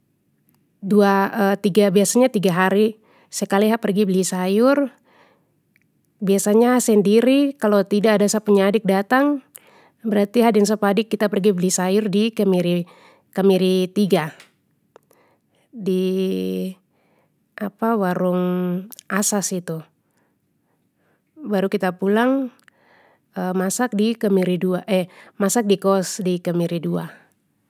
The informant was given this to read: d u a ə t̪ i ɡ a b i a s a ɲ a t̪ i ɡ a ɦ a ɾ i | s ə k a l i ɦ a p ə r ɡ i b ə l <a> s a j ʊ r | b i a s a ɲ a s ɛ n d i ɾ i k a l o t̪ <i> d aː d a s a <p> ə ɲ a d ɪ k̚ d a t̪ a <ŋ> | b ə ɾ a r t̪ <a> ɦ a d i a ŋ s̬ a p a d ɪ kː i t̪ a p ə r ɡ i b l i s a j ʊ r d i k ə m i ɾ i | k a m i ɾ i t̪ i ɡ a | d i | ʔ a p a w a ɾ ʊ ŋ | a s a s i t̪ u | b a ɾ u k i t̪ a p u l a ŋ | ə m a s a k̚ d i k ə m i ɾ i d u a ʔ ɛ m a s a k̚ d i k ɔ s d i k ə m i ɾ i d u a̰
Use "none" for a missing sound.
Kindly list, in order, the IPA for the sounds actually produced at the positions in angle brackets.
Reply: i, i, p, ŋ, i

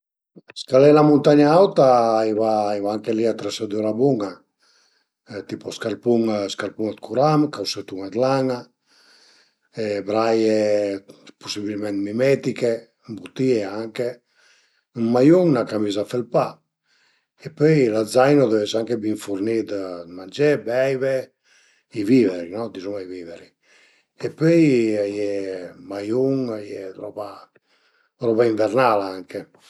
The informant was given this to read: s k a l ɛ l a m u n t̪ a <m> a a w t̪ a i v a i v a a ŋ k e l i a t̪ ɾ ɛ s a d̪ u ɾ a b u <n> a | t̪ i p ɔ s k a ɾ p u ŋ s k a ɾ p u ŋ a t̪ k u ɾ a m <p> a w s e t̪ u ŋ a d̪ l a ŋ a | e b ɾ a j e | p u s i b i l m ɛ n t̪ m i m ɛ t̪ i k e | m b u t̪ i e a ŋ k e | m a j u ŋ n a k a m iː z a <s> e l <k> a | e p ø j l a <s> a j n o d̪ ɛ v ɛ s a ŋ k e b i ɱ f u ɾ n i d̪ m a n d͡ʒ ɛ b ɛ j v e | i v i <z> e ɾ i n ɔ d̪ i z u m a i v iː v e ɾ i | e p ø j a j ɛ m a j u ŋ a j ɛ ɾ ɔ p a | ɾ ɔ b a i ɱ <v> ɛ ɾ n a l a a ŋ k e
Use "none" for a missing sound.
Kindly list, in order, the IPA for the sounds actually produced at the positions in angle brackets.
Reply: ɲ, ŋ, k, f, p, z, v, v

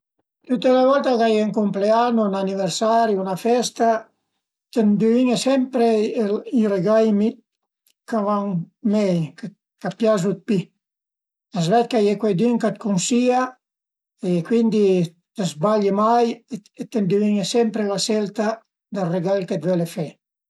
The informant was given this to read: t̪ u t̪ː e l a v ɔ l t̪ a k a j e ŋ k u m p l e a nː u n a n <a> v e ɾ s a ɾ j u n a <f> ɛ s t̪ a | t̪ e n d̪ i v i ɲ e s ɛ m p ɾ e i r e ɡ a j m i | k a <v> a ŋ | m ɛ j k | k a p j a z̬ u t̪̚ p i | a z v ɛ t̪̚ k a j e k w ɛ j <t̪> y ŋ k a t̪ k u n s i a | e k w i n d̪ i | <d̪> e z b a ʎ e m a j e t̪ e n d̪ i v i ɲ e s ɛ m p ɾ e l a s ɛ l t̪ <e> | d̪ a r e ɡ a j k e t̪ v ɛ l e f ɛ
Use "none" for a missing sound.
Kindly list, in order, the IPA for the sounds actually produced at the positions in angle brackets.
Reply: i, f, v, d̪, t̪, a

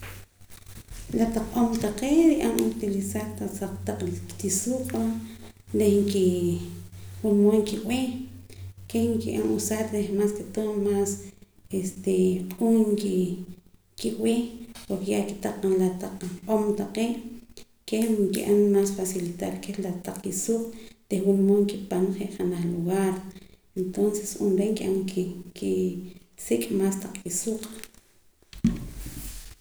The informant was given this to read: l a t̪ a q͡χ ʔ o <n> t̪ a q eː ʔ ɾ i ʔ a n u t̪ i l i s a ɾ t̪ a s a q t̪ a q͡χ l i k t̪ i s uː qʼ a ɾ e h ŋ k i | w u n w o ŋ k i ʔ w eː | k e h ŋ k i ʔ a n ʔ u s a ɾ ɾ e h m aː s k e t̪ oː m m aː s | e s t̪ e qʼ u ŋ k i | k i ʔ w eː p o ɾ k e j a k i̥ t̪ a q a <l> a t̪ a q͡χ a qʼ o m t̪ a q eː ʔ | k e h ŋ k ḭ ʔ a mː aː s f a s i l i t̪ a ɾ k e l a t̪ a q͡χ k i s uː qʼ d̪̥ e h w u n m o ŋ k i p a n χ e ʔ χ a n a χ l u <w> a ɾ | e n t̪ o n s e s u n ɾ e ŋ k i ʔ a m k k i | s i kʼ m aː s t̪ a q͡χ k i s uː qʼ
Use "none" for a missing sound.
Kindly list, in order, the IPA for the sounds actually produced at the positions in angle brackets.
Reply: m, l, ɣ

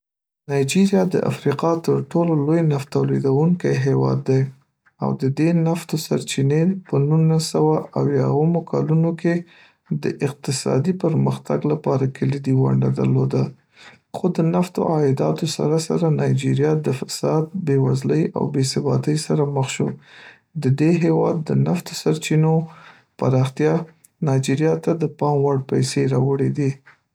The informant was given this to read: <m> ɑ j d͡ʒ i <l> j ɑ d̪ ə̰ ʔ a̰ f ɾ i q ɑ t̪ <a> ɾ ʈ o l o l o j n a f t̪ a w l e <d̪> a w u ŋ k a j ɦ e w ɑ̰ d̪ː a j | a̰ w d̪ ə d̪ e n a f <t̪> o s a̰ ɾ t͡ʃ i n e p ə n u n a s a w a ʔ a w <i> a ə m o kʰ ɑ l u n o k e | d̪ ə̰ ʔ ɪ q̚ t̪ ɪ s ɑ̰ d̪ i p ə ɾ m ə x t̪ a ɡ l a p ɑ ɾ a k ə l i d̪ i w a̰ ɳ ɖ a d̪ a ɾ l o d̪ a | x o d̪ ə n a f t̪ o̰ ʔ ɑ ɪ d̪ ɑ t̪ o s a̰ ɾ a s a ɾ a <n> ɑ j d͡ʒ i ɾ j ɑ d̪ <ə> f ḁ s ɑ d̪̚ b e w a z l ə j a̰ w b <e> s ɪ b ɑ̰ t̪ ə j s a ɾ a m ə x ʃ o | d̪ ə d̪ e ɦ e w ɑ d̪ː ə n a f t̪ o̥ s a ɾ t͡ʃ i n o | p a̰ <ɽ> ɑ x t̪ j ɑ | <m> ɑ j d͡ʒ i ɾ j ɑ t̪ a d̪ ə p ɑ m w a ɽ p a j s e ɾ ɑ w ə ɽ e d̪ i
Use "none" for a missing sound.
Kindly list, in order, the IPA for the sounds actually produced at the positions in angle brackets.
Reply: n, ɾ, ə, d̪, t̪, j, n, ə, e, ɾ, n

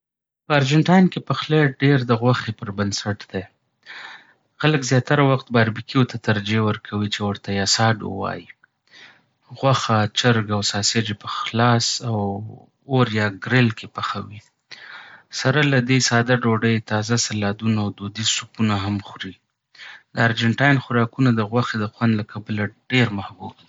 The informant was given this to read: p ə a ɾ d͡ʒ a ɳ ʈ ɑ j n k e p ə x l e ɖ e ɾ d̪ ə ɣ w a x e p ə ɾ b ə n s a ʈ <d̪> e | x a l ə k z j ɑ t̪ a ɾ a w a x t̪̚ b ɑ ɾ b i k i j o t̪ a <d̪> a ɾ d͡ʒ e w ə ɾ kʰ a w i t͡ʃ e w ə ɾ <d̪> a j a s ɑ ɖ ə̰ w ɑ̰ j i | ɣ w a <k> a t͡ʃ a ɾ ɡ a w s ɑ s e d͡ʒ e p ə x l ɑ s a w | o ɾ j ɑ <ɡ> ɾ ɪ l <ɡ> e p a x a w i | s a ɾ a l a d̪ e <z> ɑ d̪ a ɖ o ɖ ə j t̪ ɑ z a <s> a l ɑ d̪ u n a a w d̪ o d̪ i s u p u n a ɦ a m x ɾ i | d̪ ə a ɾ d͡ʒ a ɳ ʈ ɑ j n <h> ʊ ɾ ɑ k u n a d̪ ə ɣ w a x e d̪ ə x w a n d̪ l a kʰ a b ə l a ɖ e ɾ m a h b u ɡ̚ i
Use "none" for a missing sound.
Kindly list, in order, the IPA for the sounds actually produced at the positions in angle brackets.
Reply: d̪, t̪, t̪, x, ɡ, k, s, s, x

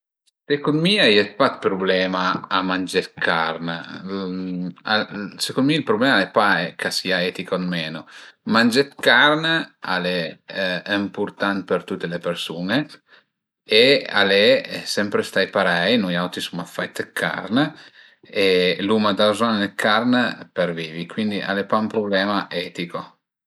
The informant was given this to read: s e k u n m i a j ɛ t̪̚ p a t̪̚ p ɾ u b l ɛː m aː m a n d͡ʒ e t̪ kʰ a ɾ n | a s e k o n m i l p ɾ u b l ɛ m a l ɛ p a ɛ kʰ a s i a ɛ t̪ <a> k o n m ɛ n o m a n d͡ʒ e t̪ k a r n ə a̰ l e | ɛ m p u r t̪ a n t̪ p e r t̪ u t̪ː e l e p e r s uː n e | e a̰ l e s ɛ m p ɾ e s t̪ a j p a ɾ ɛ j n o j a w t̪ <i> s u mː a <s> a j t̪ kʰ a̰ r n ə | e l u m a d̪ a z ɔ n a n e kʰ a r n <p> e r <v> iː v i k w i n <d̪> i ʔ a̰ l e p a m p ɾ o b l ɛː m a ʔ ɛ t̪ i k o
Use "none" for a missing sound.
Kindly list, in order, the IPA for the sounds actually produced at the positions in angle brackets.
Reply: i, i, f, p, v, d̪

